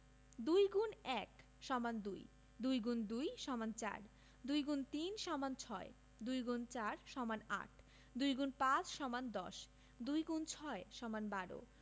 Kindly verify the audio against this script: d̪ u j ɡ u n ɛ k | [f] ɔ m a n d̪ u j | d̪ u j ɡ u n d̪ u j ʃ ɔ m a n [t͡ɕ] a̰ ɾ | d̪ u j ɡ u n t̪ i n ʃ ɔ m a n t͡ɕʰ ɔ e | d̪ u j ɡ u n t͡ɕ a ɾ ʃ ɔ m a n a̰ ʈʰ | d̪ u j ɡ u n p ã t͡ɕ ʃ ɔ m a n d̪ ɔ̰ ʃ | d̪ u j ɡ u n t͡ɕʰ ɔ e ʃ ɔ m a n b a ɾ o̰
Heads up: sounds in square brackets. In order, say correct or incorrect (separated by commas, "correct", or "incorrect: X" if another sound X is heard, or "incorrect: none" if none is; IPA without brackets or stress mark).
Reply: incorrect: ʃ, correct